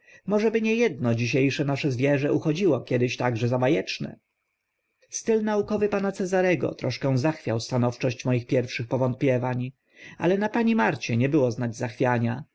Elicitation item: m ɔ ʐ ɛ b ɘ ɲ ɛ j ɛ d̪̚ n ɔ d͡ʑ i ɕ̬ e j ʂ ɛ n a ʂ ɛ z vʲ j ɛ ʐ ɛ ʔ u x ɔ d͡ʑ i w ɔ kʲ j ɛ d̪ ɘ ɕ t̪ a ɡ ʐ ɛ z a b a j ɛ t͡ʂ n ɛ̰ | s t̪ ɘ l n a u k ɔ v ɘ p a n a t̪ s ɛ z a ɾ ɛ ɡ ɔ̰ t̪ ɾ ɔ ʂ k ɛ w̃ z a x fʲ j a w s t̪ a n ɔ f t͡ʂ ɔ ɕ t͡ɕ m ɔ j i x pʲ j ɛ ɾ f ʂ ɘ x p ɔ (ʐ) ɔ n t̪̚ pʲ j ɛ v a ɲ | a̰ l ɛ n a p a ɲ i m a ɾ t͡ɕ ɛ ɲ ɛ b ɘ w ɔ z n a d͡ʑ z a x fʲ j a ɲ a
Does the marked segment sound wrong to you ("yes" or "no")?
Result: yes